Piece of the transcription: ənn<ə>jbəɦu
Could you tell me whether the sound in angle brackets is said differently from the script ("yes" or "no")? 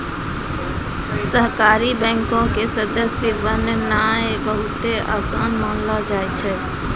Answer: yes